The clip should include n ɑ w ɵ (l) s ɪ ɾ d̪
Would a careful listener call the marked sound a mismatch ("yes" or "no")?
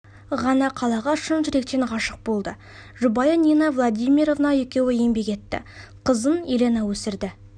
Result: yes